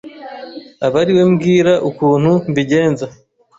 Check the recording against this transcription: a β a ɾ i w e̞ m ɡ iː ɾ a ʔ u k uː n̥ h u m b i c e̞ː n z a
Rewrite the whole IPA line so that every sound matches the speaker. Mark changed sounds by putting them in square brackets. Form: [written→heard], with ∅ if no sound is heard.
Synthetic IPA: a β a ɾ i w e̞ m ɡ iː ɾ a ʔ u k uː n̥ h u m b i [c→ɟ] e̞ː n z a